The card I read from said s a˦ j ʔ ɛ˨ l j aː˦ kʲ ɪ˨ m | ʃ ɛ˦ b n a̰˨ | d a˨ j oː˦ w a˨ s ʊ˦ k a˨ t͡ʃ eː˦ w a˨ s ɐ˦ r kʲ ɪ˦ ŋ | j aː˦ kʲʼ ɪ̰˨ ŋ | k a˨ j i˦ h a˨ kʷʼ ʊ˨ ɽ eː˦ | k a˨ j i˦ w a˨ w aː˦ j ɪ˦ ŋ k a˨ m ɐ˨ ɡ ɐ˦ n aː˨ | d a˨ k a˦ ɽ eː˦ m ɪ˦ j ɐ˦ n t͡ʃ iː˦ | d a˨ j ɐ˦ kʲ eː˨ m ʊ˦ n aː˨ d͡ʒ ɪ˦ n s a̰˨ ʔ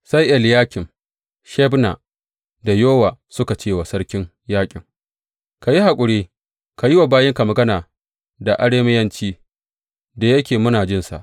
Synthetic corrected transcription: s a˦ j ʔ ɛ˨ l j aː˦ kʲ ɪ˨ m | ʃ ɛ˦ b n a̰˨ | d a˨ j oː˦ w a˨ s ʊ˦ k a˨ t͡ʃ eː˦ w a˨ s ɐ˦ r kʲ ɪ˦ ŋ | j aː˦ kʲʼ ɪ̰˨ ŋ | k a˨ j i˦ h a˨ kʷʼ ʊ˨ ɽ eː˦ | k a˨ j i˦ w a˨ b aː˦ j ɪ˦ ŋ k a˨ m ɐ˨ ɡ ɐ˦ n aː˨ | d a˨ ʔ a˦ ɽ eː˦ m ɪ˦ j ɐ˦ n t͡ʃ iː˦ | d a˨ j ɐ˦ kʲ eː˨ m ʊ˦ n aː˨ d͡ʒ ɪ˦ n s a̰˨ ʔ